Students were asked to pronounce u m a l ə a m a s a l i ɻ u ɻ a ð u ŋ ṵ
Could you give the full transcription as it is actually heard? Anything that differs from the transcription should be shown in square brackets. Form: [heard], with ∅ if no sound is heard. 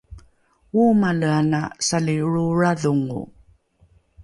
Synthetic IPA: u m a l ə a [n] a s a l i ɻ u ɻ a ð u ŋ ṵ